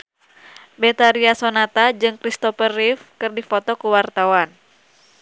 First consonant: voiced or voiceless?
voiced